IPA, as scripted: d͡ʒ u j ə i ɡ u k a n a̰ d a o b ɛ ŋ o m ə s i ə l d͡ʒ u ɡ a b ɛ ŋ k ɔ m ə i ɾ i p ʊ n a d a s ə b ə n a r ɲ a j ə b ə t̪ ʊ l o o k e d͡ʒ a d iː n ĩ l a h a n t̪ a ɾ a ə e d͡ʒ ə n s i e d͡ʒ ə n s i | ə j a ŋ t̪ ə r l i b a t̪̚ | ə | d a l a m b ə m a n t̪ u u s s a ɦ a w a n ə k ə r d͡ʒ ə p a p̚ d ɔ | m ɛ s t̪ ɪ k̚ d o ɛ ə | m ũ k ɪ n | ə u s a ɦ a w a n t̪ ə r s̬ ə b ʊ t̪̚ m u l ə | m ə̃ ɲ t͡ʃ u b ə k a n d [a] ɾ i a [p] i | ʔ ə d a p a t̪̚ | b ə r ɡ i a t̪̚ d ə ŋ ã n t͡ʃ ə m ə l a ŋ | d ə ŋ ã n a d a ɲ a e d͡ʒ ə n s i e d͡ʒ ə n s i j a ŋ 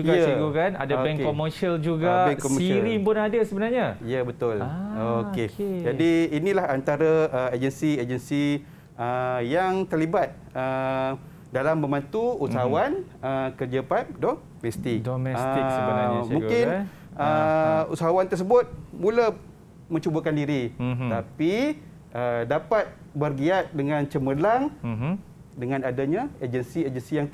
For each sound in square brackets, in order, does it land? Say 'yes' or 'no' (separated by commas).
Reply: no, yes